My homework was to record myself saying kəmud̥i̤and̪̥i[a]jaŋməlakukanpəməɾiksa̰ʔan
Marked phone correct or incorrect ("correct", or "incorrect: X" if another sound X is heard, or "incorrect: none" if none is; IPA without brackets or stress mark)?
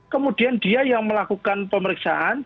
correct